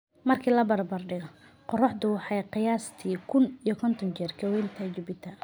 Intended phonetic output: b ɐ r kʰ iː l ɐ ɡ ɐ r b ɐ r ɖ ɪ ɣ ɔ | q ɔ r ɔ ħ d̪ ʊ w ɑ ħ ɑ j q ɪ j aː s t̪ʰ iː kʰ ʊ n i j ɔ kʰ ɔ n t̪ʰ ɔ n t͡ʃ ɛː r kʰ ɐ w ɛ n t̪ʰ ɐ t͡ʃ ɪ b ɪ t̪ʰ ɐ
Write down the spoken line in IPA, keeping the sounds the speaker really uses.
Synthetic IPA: m ɐ r kʰ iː l ɐ b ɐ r b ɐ r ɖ ɪ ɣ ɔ | q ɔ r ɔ ħ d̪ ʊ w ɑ ħ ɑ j q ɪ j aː s t̪ʰ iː kʰ ʊ n i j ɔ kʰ ɔ n t̪ʰ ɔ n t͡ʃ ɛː r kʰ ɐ w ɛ n t̪ʰ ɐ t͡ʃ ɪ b ɪ t̪ʰ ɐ